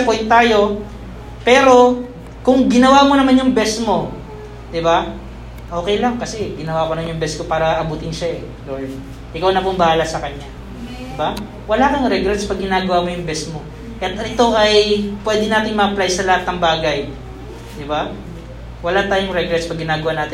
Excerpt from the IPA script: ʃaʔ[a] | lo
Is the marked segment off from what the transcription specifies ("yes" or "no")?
yes